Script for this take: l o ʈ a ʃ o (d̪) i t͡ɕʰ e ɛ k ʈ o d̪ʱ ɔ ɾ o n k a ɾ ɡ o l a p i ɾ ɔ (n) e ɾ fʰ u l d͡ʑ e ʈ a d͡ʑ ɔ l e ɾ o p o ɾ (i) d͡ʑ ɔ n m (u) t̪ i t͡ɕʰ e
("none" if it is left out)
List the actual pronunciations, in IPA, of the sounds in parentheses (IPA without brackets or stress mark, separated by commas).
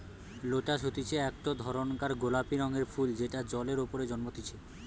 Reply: t̪, ŋ, e, o